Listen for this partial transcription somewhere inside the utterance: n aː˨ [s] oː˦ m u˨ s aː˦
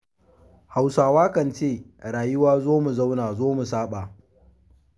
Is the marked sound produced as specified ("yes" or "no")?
no